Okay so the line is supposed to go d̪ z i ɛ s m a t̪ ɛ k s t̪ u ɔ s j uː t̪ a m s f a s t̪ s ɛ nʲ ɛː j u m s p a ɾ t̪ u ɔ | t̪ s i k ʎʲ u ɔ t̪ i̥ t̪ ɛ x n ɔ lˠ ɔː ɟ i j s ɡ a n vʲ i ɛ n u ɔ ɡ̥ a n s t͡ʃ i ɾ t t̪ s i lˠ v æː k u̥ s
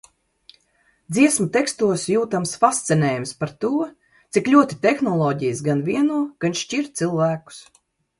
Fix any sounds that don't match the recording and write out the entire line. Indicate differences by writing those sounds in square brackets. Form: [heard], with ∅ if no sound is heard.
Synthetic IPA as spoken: d̪ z i ɛ s m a t̪ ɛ k s t̪ u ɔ s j uː t̪ a m s f a s t̪ s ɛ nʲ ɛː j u m s p a ɾ t̪ u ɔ | t̪ s i k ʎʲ u ɔ t̪ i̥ t̪ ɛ x n ɔ lˠ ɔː ɟ i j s ɡ a n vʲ i ɛ n u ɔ ɡ̥ a n [ʃ] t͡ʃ i ɾ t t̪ s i lˠ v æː k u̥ s